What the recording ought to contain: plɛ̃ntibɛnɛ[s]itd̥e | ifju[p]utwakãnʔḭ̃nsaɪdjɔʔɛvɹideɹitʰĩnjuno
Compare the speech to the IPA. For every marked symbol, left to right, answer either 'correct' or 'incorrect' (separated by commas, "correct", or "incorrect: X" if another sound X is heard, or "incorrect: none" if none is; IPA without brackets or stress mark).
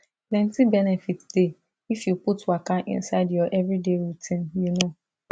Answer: incorrect: f, correct